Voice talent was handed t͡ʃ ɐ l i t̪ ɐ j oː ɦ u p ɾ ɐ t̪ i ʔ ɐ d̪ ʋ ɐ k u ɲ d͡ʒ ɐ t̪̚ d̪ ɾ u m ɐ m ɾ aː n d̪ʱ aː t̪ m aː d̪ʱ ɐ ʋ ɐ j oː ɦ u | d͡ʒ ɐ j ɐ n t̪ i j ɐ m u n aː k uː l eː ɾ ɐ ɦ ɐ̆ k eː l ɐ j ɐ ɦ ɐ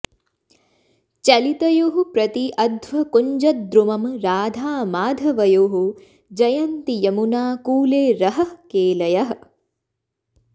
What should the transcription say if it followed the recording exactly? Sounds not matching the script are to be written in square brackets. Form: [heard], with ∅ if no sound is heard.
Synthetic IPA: t͡ʃ ɐ l i t̪ ɐ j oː ɦ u p ɾ ɐ t̪ i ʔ ɐ d̪ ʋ ɐ k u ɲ d͡ʒ ɐ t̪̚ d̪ ɾ u m ɐ m ɾ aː [∅] d̪ʱ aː [∅] m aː d̪ʱ ɐ ʋ ɐ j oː ɦ u | d͡ʒ ɐ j ɐ n t̪ i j ɐ m u n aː k uː l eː ɾ ɐ ɦ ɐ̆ k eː l ɐ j ɐ ɦ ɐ